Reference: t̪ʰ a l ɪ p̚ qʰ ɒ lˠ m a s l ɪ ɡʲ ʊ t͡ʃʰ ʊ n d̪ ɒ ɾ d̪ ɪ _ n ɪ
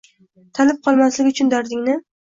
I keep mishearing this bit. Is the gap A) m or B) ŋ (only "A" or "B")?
B